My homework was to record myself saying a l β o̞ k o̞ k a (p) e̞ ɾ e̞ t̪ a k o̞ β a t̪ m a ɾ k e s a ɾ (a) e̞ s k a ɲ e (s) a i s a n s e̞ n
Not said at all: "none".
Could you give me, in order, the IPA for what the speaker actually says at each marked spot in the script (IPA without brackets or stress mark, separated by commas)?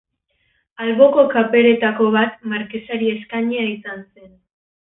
p, i, none